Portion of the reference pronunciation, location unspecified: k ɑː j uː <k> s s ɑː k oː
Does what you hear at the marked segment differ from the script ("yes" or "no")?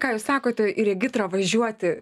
yes